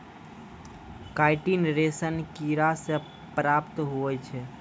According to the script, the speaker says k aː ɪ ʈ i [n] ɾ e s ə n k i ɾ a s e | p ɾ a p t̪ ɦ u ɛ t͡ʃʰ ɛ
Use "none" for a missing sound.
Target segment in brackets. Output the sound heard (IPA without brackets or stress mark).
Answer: n